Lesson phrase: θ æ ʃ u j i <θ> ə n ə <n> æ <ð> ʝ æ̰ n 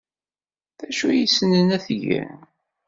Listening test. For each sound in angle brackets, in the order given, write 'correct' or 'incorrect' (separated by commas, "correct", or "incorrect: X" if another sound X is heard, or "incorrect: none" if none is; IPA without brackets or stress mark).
incorrect: s, correct, incorrect: θ